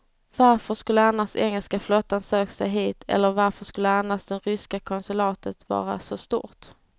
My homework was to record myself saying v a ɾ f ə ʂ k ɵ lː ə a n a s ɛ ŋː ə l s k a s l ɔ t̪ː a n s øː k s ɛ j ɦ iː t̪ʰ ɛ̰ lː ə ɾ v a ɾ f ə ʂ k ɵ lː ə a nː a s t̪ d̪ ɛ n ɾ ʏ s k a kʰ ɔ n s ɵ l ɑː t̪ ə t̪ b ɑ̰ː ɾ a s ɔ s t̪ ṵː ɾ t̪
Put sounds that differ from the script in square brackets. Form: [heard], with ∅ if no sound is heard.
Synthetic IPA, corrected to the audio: v a ɾ f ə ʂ k ɵ lː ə a n a s ɛ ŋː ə l s k a [f] l ɔ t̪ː a n s øː k s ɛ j ɦ iː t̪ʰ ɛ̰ lː ə ɾ v a ɾ f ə ʂ k ɵ lː ə a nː a s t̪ d̪ ɛ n ɾ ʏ s k a kʰ ɔ n s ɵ l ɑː t̪ ə t̪ [v] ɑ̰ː ɾ a s ɔ s t̪ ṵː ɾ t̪